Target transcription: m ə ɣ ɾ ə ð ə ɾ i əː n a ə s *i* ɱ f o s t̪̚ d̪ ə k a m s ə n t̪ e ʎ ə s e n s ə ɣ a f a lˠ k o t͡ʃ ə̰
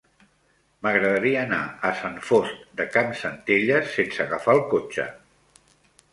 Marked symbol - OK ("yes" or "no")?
no